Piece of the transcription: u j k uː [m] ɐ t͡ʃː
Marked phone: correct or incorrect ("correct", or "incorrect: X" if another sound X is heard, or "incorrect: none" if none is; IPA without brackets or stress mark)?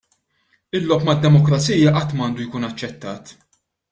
incorrect: n